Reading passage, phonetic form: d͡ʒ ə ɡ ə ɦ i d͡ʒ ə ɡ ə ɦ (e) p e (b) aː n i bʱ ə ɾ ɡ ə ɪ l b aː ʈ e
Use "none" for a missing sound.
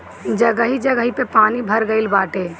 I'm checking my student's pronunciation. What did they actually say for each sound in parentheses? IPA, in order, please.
i, p

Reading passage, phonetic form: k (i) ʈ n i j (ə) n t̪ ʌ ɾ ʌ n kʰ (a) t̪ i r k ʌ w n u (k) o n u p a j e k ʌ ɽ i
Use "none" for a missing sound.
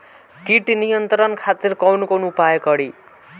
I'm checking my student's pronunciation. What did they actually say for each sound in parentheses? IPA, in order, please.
i, ʌ, a, k

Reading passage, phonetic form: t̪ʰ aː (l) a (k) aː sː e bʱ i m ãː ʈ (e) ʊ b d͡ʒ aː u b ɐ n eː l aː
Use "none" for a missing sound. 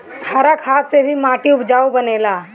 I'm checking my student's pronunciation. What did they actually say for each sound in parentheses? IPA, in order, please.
ɾ, kʰ, i

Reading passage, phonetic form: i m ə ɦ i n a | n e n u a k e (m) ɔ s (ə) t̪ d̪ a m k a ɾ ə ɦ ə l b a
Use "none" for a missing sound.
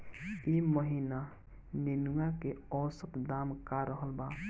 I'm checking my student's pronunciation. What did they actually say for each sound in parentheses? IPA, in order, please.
none, ə

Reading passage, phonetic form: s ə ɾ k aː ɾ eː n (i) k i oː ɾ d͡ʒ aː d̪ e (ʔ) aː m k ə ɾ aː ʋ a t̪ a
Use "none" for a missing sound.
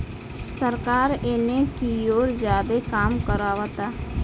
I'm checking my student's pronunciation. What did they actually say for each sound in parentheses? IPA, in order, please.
e, k

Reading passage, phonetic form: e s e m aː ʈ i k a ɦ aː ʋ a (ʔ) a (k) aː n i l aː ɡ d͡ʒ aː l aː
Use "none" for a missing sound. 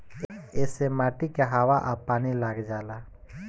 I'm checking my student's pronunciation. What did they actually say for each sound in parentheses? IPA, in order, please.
ʔ, p

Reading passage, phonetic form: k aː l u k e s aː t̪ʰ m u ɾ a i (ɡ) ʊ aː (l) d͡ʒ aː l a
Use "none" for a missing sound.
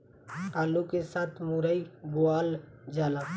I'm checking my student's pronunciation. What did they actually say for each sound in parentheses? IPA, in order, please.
b, l

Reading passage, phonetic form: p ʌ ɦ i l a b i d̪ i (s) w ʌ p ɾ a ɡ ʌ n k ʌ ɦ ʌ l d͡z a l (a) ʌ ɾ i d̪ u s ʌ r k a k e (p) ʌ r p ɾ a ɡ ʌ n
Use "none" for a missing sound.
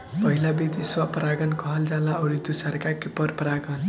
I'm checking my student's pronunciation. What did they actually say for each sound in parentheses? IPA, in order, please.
s, a, p

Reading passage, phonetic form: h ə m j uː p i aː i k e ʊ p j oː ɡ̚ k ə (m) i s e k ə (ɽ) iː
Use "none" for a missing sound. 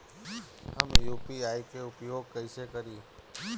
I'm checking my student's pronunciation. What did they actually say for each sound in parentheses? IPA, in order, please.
none, ɾ

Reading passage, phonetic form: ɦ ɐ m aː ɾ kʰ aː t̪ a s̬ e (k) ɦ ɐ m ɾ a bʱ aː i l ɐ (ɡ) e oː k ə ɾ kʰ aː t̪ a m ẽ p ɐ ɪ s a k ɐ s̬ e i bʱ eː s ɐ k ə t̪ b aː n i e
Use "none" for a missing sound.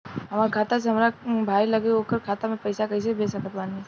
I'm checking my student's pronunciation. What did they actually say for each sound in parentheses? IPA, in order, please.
none, ɡ

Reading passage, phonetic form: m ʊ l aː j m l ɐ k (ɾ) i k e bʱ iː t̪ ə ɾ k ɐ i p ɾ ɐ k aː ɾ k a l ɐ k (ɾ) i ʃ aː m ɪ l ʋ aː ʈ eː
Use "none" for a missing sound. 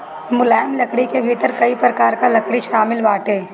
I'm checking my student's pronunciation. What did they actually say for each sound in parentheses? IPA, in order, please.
ɽ, ɽ

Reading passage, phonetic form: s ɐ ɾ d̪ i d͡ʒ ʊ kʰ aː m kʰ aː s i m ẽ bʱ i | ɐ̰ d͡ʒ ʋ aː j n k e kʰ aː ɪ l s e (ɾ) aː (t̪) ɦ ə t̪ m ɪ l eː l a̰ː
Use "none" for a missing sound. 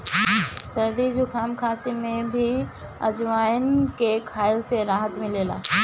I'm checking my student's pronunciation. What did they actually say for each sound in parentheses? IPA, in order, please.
ɾ, none

